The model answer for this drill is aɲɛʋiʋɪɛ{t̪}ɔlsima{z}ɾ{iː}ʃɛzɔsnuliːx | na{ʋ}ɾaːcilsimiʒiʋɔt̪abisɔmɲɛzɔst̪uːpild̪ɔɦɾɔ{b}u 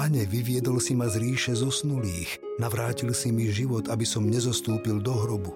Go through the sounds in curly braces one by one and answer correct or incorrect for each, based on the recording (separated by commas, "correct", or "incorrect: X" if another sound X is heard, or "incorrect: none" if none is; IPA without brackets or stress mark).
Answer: incorrect: d̪, correct, correct, correct, correct